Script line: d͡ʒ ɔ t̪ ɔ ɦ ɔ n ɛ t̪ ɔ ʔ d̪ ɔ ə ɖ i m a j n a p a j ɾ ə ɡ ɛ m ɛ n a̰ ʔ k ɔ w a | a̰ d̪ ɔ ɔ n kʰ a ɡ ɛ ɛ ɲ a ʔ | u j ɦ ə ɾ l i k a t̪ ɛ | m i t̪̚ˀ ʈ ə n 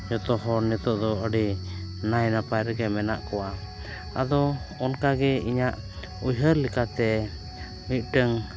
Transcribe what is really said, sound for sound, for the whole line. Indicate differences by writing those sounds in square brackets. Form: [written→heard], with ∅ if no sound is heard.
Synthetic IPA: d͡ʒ ɔ t̪ ɔ ɦ ɔ n ɛ t̪ ɔ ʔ d̪ ɔ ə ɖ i [m→n] a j n a p a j ɾ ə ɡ ɛ m ɛ n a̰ ʔ k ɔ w a | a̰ d̪ ɔ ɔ n [kʰ→k] a ɡ ɛ [ɛ→i] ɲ a ʔ | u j ɦ ə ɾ l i k a t̪ ɛ | m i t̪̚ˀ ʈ ə [n→ŋ]